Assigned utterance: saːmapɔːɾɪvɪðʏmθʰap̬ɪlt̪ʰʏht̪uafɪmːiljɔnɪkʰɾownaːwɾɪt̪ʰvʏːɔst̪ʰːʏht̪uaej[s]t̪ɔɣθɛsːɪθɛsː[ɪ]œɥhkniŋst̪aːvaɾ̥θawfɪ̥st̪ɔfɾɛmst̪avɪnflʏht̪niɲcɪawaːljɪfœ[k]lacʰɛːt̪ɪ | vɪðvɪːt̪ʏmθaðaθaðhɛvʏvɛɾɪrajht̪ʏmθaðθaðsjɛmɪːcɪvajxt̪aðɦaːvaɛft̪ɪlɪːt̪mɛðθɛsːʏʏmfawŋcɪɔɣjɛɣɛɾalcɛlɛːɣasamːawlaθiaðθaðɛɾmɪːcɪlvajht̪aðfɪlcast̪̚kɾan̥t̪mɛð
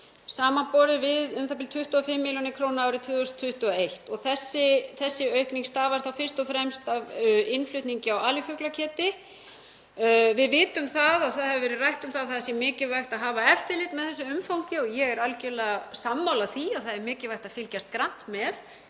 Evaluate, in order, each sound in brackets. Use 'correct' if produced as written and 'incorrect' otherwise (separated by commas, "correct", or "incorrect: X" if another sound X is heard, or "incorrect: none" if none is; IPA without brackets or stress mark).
incorrect: h, correct, correct